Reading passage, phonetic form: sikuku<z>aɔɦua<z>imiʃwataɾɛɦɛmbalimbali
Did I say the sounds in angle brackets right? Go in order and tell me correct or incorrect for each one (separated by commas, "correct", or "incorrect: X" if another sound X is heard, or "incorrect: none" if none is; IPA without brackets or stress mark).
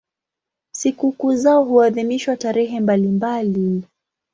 correct, incorrect: ð